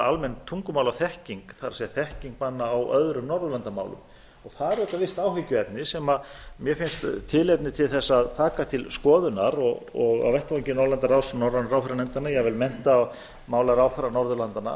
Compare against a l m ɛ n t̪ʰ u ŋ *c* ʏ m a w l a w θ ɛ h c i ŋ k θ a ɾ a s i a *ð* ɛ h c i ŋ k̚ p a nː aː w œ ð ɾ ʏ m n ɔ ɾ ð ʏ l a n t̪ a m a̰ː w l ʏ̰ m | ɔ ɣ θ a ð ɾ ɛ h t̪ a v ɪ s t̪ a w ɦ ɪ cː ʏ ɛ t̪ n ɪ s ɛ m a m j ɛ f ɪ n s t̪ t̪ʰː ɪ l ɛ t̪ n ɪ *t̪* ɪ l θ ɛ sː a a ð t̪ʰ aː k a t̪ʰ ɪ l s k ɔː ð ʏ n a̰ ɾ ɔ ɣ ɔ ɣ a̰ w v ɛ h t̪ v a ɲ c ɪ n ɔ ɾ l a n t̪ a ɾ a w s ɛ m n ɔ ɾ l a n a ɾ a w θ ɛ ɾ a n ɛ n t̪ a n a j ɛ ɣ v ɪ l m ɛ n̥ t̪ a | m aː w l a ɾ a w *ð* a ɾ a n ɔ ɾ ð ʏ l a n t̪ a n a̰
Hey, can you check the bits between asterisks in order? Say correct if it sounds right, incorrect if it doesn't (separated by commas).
incorrect, incorrect, incorrect, incorrect